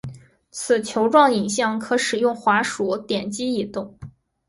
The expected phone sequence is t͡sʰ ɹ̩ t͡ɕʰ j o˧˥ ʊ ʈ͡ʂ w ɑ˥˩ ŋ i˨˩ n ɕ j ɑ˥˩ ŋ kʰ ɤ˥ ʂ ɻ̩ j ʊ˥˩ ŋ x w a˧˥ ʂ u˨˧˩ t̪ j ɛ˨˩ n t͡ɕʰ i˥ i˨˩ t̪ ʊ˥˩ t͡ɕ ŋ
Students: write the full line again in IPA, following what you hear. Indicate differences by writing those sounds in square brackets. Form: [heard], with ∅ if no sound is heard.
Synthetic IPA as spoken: t͡sʰ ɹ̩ t͡ɕʰ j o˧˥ ʊ ʈ͡ʂ w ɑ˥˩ ŋ i˨˩ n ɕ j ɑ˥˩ ŋ kʰ [ɤ˧˥] ʂ ɻ̩ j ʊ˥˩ ŋ x w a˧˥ ʂ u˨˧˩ t̪ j ɛ˨˩ n [t͡ɕ] i˥ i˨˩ t̪ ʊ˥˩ [∅] ŋ